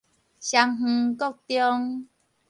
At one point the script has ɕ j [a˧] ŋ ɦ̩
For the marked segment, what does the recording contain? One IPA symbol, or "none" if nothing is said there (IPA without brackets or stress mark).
a˧